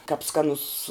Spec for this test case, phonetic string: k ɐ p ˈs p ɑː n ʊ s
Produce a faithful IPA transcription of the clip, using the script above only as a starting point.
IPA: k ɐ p ˈs k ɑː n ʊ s